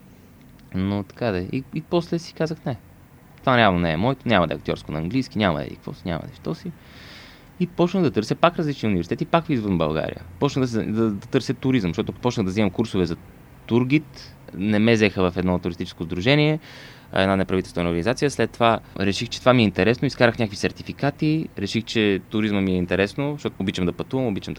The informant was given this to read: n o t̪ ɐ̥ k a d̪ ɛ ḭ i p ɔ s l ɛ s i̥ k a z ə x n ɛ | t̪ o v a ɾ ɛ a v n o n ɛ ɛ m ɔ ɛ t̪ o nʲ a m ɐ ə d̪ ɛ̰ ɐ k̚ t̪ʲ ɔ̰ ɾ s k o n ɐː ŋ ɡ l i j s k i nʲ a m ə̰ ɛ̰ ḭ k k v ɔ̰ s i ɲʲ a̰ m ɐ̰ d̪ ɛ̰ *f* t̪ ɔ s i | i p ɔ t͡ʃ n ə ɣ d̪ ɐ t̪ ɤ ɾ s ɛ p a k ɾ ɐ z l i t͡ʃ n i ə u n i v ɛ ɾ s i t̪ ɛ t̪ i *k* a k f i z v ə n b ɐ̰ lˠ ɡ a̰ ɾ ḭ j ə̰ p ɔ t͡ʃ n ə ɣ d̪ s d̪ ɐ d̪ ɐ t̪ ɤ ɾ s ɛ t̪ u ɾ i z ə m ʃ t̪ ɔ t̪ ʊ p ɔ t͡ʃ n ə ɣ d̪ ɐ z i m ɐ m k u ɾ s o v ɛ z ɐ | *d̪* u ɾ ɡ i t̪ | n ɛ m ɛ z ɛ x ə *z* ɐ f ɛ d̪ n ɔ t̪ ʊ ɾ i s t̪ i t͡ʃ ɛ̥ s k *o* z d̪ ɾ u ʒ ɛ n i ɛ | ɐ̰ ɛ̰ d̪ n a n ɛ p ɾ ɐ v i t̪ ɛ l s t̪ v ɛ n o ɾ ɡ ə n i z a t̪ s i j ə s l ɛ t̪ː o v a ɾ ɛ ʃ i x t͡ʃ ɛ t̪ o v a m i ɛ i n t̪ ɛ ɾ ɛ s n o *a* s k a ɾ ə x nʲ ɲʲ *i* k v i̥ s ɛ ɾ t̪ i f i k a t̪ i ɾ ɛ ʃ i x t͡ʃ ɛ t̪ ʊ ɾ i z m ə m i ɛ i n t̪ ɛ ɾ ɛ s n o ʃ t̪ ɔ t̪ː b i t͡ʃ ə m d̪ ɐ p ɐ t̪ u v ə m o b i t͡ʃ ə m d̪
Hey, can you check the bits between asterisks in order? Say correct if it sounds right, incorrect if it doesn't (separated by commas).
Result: incorrect, incorrect, incorrect, incorrect, correct, incorrect, incorrect